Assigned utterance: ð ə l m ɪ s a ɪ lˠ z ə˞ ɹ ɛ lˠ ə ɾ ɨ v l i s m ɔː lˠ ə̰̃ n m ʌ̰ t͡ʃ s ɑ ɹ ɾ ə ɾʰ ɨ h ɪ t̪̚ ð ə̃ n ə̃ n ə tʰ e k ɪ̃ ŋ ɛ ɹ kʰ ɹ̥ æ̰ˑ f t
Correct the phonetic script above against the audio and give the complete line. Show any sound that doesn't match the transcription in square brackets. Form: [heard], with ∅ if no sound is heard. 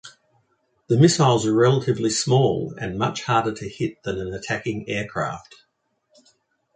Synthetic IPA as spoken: ð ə [∅] m ɪ s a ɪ lˠ z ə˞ ɹ ɛ lˠ ə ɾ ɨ v l i s m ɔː lˠ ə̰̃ n m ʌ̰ t͡ʃ [h] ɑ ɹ ɾ ə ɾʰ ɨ h ɪ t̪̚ ð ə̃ n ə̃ n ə tʰ [æ] k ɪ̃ ŋ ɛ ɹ kʰ ɹ̥ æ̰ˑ f t